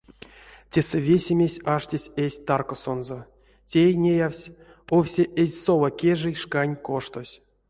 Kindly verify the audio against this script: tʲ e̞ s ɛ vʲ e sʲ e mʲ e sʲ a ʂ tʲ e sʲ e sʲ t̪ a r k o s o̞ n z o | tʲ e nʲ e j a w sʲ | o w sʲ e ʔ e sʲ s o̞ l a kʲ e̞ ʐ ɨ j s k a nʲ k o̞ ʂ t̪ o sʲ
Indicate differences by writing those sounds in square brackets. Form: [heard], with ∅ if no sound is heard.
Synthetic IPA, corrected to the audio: tʲ e̞ s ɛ vʲ e sʲ e mʲ e sʲ a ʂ tʲ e sʲ e sʲ t̪ a r k o s o̞ n z o | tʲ e nʲ e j a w sʲ | o w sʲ e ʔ e [zʲ] s o̞ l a kʲ e̞ ʐ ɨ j [ʂ] k a nʲ k o̞ ʂ t̪ o sʲ